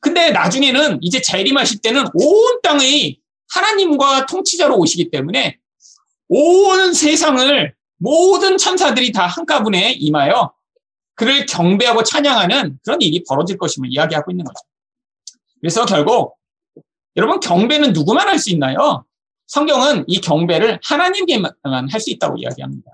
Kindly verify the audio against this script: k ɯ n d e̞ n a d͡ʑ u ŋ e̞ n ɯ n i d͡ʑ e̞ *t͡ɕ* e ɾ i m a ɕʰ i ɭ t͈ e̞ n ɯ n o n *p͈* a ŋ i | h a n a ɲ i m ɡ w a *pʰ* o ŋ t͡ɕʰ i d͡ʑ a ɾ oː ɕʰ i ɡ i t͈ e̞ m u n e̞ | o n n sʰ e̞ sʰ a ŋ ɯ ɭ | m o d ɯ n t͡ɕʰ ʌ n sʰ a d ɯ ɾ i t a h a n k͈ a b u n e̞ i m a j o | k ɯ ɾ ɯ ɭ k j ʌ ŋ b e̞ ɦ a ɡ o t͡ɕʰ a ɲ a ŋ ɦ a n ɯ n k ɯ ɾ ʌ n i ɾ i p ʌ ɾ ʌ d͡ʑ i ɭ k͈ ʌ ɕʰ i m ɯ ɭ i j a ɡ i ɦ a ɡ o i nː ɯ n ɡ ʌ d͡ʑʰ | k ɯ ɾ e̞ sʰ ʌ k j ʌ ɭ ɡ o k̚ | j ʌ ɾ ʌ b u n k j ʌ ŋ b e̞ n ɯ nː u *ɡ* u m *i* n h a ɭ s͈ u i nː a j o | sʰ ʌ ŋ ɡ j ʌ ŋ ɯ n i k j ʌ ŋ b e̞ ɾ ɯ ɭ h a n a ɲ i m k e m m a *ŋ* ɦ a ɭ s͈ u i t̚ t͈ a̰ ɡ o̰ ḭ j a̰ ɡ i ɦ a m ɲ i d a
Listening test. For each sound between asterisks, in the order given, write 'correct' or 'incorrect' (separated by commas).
correct, incorrect, incorrect, correct, incorrect, incorrect